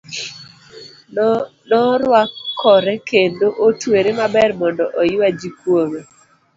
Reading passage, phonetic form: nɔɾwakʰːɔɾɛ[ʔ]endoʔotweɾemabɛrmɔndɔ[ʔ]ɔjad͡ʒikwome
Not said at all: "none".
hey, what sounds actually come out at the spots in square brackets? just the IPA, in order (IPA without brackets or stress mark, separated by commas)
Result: k, ʔ